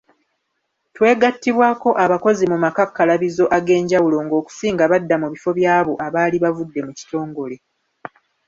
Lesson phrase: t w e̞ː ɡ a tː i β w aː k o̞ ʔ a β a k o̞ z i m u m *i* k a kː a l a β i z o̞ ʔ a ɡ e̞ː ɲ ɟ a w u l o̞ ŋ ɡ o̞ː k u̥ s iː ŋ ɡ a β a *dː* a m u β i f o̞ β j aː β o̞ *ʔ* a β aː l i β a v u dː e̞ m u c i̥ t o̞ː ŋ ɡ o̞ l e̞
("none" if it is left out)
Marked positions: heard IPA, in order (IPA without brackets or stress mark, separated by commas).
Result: a, dː, ʔ